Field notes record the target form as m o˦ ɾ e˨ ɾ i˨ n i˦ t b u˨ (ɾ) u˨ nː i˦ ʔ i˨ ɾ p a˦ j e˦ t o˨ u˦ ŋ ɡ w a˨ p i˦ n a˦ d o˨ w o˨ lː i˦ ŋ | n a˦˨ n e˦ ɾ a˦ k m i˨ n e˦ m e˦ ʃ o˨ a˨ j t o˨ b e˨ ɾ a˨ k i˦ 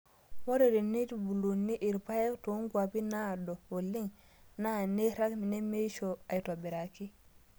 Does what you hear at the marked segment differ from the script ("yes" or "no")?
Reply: yes